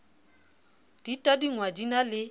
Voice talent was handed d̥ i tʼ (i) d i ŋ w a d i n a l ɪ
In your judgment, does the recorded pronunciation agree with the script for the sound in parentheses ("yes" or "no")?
no